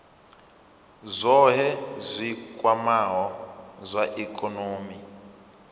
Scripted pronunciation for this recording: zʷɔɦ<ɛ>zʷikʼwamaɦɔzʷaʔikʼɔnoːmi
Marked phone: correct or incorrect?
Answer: correct